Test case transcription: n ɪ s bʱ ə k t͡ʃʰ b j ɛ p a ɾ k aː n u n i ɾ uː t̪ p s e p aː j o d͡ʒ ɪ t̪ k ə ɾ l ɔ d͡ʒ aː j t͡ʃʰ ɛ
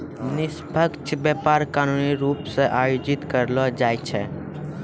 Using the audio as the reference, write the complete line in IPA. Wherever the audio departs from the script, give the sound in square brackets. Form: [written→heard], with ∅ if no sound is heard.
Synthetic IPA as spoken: n ɪ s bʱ ə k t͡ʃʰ b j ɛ p a ɾ k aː n u n i ɾ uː [t̪→∅] p s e [p→ʔ] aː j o d͡ʒ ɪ t̪ k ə ɾ l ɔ d͡ʒ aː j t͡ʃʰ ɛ